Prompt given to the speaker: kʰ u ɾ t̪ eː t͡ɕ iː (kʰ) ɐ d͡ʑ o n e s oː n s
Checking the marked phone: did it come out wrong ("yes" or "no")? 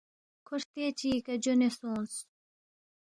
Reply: yes